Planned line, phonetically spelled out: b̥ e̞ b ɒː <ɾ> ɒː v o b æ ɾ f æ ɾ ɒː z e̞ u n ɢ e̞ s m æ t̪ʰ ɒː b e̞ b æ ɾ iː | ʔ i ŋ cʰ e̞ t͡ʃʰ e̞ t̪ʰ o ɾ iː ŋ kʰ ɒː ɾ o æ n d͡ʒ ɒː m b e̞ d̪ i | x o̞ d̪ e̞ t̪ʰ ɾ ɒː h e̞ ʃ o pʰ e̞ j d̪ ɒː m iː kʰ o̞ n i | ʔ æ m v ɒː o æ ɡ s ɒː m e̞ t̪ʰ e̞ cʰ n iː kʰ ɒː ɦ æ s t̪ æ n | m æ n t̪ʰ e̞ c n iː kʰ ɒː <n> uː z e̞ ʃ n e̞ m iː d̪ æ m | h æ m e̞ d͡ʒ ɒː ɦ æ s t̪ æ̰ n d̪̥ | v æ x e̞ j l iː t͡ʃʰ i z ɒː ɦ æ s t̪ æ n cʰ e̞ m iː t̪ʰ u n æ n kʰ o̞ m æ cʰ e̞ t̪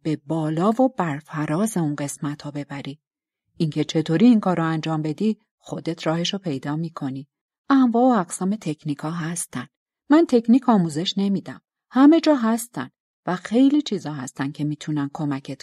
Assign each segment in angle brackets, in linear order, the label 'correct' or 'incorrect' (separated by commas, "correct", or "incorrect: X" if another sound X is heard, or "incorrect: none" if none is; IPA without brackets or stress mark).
incorrect: l, incorrect: m